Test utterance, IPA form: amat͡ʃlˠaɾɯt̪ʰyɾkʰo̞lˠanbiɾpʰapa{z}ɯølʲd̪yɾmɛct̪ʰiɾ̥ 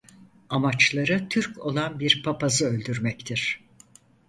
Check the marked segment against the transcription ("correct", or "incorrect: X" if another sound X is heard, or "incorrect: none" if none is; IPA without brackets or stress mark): correct